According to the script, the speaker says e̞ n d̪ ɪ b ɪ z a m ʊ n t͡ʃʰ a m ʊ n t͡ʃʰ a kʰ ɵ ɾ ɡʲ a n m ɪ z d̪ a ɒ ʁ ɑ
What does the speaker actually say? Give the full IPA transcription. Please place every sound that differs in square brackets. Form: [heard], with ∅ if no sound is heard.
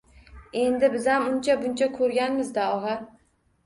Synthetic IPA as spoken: e̞ n d̪ ɪ b ɪ z a m ʊ n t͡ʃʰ a [b] ʊ n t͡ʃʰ a kʰ ɵ ɾ ɡʲ a n m ɪ z d̪ a ɒ ʁ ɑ